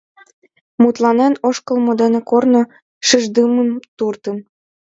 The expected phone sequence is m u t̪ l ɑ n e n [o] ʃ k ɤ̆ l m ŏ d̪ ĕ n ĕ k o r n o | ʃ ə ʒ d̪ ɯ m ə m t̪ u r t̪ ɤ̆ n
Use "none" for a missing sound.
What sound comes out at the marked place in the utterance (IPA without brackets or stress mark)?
o